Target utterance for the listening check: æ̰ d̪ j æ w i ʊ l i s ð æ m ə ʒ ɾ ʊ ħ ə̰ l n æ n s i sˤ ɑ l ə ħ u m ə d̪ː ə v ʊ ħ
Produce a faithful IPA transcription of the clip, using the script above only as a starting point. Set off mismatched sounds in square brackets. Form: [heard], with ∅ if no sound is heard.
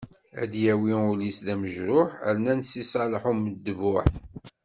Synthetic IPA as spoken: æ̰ d̪ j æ w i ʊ l i s ð æ m ə ʒ ɾ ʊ ħ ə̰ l n æ n s i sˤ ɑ l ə ħ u m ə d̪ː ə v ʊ ħ